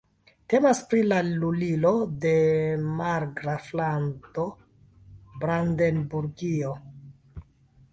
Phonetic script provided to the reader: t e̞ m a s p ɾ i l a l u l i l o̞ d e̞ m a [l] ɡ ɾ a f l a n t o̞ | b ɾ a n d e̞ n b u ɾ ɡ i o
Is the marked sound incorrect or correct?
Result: incorrect: ɾ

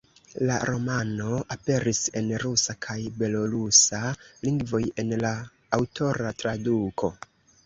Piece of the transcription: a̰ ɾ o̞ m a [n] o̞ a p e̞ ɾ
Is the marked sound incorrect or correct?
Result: correct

